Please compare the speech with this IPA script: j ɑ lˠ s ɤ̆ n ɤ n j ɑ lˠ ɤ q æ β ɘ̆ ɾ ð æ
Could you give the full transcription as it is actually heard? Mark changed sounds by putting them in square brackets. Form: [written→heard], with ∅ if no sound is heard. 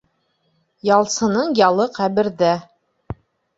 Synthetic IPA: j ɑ lˠ s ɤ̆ n ɤ [n→ɴ] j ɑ lˠ ɤ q æ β ɘ̆ ɾ ð æ